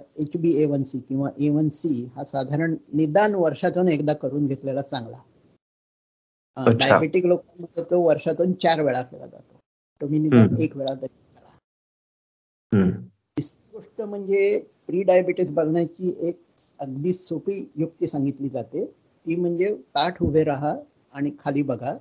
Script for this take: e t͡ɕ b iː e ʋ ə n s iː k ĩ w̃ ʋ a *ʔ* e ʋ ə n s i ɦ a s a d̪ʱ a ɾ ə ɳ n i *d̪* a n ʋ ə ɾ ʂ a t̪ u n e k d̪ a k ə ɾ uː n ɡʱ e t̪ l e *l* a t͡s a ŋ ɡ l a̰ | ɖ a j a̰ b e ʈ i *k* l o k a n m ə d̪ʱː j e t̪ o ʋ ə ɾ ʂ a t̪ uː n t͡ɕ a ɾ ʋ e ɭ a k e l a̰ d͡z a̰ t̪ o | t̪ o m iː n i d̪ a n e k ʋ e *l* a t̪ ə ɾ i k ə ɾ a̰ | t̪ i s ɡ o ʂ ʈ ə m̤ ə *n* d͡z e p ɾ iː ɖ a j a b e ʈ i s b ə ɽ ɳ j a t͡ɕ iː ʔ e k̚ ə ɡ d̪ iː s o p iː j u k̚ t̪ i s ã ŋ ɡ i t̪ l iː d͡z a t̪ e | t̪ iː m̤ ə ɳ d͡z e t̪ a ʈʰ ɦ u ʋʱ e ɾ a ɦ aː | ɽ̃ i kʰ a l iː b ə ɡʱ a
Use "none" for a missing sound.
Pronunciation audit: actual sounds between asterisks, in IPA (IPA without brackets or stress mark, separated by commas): ʔ, d̪, l, k, ɭ, ɳ